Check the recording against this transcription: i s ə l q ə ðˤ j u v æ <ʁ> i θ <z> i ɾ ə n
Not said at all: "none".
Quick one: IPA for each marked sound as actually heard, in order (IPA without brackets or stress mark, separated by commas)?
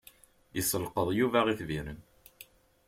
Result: ʁ, v